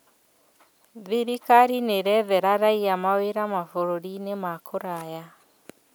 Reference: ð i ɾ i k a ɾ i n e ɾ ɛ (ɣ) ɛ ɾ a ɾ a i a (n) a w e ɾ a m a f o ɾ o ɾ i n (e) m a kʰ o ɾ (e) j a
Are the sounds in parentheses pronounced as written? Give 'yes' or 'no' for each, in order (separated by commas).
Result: no, no, yes, no